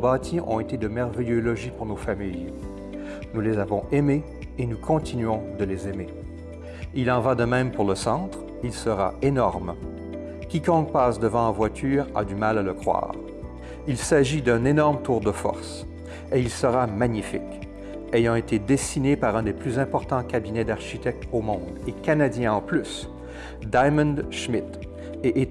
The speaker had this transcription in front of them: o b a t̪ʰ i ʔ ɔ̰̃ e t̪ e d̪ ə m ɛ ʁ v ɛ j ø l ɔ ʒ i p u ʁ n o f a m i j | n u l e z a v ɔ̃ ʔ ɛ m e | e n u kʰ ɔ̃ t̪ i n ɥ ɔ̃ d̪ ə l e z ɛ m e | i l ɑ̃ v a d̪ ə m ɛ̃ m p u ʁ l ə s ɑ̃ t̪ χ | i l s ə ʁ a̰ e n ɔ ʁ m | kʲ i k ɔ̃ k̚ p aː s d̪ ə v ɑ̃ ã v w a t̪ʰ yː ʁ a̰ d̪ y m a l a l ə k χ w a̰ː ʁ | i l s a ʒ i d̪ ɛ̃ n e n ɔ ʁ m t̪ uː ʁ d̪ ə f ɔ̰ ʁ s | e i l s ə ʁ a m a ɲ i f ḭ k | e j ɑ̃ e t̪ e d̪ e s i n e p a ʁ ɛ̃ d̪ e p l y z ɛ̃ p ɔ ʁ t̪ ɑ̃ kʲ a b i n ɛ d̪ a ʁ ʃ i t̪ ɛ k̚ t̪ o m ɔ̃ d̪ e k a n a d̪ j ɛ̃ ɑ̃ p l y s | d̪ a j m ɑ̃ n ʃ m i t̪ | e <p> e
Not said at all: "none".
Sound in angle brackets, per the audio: ʔ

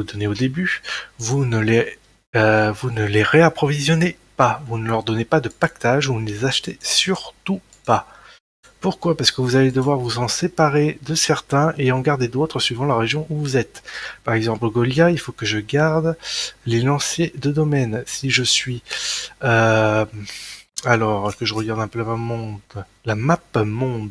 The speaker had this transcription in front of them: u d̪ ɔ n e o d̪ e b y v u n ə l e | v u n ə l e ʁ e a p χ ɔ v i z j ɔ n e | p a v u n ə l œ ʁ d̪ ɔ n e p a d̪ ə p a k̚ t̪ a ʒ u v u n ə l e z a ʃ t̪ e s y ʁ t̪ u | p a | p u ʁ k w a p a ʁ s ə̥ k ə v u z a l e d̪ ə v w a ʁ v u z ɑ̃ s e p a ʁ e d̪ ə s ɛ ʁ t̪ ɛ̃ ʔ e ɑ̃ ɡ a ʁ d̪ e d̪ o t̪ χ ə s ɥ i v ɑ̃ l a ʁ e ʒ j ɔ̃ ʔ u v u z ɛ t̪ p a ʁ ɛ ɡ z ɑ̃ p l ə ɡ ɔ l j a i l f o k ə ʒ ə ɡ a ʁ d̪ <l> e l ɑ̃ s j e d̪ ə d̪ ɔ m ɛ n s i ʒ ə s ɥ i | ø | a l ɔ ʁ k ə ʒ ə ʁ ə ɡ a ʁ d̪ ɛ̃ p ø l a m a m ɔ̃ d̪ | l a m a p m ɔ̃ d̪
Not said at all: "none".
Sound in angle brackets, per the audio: l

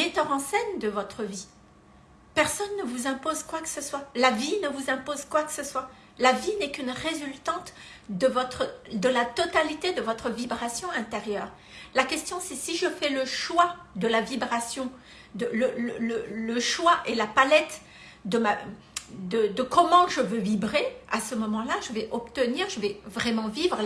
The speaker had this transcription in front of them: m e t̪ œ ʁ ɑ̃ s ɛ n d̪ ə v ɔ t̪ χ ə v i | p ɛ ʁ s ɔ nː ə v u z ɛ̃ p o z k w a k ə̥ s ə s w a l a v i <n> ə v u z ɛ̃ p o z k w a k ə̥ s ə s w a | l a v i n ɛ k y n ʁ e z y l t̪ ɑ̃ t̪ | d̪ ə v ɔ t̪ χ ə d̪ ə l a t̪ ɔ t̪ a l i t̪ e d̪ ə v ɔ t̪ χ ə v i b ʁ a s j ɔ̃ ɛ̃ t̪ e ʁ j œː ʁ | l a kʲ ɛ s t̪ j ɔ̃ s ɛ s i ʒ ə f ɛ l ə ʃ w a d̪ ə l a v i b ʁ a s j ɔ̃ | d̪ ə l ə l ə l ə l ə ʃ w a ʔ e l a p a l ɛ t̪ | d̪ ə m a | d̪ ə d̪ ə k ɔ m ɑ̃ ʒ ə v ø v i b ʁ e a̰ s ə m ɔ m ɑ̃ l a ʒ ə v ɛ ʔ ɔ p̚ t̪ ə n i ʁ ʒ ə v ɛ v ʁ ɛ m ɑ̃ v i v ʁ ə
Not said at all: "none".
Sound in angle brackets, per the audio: n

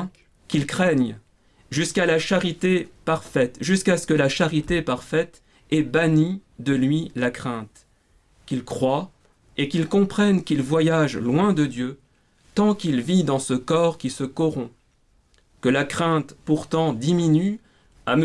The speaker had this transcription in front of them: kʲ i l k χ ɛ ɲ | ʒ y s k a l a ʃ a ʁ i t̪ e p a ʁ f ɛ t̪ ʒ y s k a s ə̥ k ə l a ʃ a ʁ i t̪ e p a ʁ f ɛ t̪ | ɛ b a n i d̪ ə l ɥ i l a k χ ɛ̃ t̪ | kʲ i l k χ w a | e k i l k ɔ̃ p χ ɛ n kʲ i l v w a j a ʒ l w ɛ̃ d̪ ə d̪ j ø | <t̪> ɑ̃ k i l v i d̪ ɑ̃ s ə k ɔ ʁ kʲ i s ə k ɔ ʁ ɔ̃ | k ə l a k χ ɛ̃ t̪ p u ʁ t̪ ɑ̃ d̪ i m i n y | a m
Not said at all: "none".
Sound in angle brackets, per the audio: t̪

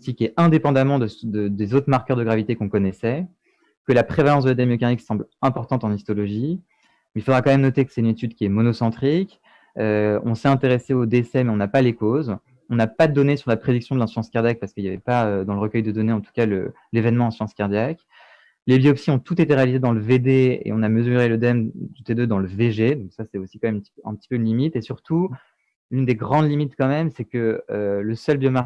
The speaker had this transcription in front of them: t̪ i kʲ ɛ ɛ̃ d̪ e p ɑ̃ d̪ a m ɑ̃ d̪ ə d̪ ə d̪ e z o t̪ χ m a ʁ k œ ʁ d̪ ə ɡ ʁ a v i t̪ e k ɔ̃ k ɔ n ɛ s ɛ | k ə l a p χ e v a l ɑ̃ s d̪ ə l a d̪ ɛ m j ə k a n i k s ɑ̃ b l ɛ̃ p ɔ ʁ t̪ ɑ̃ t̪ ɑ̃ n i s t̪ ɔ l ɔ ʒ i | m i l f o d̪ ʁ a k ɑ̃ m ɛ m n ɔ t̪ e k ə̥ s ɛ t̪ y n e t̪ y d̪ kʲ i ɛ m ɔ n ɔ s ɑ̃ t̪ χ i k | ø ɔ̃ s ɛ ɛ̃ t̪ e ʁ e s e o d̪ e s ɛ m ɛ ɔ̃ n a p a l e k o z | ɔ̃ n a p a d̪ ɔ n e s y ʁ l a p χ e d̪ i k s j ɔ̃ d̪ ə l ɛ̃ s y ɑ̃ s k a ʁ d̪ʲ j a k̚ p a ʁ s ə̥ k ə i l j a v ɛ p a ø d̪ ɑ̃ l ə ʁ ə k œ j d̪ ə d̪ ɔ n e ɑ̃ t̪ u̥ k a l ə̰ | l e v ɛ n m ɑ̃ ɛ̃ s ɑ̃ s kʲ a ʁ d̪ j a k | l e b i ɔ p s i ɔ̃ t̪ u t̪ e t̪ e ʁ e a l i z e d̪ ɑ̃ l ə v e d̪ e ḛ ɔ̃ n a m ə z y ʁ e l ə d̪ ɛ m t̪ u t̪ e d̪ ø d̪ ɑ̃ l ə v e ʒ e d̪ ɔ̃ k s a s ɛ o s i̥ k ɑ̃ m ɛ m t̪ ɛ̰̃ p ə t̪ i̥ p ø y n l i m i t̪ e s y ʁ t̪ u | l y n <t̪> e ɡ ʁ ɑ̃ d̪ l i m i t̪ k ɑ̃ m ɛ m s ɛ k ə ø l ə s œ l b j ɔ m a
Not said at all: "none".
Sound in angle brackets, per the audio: d̪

